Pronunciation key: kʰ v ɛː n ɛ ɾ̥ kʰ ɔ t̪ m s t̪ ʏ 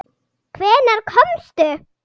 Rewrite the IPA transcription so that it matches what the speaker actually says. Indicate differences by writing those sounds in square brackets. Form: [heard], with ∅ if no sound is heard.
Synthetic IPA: kʰ v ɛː n [a] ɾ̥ kʰ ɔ [∅] m s t̪ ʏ